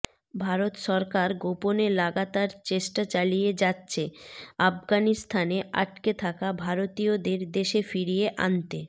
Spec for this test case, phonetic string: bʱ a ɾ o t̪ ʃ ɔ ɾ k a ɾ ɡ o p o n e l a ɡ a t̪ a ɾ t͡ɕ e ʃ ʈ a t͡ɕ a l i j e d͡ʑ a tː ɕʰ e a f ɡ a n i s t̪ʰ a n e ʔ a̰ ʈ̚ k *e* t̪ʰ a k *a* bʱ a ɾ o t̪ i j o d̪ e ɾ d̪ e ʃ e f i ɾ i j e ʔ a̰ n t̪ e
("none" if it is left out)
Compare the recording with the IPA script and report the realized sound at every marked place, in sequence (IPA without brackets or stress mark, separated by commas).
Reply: e, a